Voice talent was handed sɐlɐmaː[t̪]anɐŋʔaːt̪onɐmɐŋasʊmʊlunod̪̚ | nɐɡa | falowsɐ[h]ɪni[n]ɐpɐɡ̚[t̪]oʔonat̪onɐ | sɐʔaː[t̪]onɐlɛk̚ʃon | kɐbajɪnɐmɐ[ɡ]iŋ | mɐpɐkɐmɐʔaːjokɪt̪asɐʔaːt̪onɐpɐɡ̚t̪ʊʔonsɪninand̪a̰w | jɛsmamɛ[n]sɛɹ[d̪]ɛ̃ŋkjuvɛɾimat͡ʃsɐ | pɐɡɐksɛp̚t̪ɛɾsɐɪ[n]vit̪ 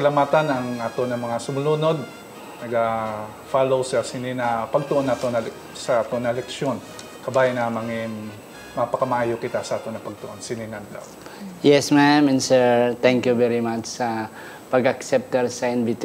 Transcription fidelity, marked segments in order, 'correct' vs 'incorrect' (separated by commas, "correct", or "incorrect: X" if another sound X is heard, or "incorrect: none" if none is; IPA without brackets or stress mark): correct, incorrect: s, correct, correct, correct, incorrect: ŋ, correct, incorrect: t̪, correct